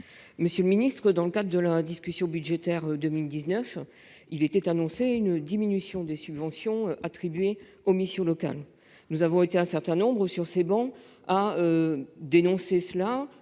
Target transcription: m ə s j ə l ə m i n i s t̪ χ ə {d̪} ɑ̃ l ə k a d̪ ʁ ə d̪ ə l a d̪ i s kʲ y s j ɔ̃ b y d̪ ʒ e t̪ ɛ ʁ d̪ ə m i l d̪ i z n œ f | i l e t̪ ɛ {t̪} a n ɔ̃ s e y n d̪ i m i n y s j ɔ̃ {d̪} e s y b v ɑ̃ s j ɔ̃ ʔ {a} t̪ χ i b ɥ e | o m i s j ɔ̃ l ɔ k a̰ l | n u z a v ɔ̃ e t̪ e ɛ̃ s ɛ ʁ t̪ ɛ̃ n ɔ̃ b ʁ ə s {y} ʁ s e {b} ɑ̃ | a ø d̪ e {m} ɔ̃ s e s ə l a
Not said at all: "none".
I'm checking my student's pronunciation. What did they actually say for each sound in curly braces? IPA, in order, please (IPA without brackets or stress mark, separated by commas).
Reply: d̪, t̪, d̪, a, y, b, n